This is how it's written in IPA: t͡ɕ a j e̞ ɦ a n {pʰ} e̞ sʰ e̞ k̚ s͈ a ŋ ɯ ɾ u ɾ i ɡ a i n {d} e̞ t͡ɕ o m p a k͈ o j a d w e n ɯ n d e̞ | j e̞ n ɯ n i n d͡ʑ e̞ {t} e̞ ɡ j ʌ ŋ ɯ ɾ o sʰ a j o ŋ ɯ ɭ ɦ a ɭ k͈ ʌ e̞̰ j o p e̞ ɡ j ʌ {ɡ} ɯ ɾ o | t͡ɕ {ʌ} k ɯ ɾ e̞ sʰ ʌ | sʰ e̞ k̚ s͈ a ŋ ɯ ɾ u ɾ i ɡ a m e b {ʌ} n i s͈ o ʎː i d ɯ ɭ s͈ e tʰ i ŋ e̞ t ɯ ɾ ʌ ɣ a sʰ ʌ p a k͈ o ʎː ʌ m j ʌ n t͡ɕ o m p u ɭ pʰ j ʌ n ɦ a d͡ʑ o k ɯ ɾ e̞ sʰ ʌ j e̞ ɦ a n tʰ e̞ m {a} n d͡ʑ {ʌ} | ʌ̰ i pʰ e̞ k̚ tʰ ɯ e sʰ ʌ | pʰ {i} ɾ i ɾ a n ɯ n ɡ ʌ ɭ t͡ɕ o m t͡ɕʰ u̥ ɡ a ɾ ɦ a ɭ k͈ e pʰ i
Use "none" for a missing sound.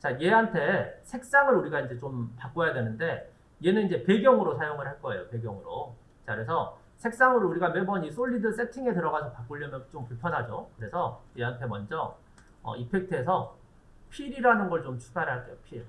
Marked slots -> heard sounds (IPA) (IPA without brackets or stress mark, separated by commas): tʰ, d͡ʑ, p, ŋ, a, ʌ, ʌ, ʌ, i